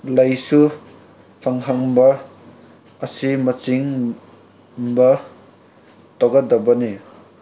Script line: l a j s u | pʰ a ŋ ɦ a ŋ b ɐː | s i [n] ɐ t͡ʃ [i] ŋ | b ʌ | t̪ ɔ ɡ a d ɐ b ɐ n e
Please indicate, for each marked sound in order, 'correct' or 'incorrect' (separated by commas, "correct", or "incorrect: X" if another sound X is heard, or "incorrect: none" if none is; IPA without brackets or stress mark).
incorrect: m, correct